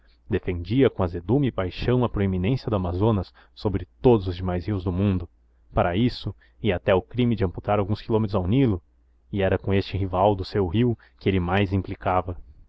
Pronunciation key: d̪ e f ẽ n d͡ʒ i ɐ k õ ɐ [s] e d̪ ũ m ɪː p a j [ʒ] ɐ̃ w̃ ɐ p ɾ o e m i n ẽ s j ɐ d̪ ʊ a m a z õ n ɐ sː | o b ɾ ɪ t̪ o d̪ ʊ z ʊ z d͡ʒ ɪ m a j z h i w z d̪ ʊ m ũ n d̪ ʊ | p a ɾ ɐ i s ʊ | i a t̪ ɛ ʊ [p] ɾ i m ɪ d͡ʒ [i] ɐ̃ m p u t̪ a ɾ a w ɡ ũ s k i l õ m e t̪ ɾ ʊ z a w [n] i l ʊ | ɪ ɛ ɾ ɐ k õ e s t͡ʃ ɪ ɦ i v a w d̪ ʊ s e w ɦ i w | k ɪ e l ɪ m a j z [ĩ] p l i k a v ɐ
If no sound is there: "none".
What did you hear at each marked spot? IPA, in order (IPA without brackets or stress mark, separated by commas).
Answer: z, ʃ, k, ɪ, n, ĩ